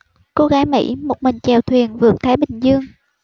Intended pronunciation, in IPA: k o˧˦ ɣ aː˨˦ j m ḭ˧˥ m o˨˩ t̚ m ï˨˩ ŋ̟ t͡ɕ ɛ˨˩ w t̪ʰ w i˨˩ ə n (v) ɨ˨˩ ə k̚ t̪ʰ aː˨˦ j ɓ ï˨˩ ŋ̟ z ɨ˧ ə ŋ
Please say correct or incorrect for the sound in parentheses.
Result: correct